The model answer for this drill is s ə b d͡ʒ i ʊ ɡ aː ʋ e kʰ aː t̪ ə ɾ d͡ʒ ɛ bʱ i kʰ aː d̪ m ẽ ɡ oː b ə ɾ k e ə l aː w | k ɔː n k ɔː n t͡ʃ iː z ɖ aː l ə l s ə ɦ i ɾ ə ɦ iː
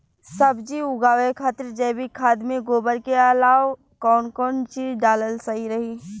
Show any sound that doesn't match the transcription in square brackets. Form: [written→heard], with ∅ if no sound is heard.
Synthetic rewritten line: s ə b d͡ʒ i ʊ ɡ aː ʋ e kʰ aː t̪ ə ɾ d͡ʒ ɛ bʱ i kʰ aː d̪ m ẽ ɡ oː b ə ɾ k e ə l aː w | k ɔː n k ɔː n t͡ʃ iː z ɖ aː l ə l s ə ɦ i ɾ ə ɦ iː

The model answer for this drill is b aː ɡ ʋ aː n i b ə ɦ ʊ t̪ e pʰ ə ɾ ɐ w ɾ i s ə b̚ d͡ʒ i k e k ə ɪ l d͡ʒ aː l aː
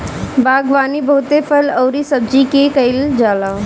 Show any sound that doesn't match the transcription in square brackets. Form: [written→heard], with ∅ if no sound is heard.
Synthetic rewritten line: b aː ɡ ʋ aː n i b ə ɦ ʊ t̪ e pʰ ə [ɾ→l] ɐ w ɾ i s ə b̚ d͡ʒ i k e k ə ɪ l d͡ʒ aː l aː

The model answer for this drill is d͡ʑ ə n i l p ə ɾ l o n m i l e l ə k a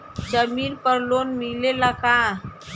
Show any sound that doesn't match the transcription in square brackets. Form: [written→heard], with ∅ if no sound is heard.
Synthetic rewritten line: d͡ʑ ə [n→m] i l p ə ɾ l o n m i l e l [ə→a] k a

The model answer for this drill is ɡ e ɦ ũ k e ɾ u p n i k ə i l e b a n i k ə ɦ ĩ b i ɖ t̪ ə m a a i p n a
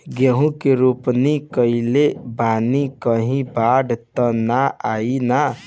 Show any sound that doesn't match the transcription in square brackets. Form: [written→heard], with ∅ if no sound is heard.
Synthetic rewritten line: ɡ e ɦ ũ k e ɾ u p n i k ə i l e b a n i k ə ɦ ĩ b [i→a] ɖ t̪ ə [m→n] a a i [p→∅] n a

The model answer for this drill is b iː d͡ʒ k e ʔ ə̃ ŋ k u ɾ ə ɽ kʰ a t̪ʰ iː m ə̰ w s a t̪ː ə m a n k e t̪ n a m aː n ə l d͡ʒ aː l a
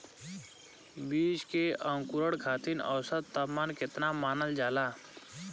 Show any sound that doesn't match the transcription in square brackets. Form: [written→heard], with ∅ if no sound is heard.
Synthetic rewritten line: b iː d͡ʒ k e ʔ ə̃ ŋ k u ɾ ə ɽ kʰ a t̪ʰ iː [m→n] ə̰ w s [a→ə] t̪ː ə m a n k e t̪ n a m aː n ə l d͡ʒ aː l a

